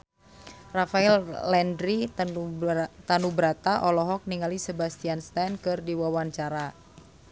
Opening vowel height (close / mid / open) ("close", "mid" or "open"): open